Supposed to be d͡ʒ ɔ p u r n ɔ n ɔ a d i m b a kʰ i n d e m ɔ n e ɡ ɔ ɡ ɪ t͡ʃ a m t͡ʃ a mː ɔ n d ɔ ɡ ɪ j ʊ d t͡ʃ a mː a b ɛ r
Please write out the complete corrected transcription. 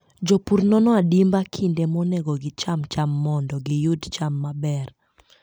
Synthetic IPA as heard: d͡ʒ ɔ p u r n ɔ n ɔ a d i m b a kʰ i n d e m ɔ n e ɡ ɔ ɡ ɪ t͡ʃ a m t͡ʃ a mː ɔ n d ɔ ɡ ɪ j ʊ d t͡ʃ a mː a b ɛ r